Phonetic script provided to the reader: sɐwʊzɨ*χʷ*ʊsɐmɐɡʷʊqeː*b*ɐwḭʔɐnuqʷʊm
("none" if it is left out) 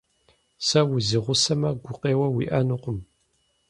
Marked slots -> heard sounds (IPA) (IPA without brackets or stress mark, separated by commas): ʁʷ, w